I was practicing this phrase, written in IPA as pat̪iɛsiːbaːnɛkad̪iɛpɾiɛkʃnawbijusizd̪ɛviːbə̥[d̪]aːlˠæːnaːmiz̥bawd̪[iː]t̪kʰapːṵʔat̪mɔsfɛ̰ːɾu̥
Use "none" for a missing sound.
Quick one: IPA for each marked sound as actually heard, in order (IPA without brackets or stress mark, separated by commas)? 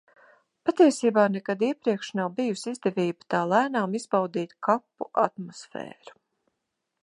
t̪, iː